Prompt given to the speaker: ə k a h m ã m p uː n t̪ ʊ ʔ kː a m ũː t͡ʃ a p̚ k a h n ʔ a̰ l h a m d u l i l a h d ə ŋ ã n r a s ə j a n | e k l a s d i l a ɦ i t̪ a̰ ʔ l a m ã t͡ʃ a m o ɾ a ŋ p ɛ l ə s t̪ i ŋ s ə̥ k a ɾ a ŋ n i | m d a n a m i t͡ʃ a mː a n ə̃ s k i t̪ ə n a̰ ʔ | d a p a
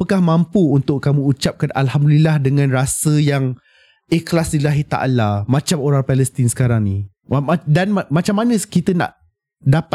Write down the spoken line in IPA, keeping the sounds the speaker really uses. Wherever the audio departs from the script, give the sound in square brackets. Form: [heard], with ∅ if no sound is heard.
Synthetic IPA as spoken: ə k a h m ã m p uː n t̪ ʊ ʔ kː a m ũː t͡ʃ a p̚ k a [∅] n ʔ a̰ l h a m d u l i l a h d ə ŋ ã n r a s ə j a [ŋ] | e k l a s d i l a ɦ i t̪ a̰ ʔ l a m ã t͡ʃ a m o ɾ a ŋ p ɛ l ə s t̪ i [n] s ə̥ k a ɾ a ŋ n i | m d a n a m [a] t͡ʃ a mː a n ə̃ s k i t̪ ə n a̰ ʔ | d a p a